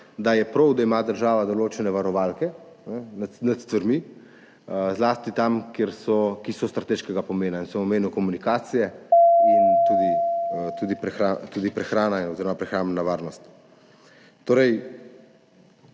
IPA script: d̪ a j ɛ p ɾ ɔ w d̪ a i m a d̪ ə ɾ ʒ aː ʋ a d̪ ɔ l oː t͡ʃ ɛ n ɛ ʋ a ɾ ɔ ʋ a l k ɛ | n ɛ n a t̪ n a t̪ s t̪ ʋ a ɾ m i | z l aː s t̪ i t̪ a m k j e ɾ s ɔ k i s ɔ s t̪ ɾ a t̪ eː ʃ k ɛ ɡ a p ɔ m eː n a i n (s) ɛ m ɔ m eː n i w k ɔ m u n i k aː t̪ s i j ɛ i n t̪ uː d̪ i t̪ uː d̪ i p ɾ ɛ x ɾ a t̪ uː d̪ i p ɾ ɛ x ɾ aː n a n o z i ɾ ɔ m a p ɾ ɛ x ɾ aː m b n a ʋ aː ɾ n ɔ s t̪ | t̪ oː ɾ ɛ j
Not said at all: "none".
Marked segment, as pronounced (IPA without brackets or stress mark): s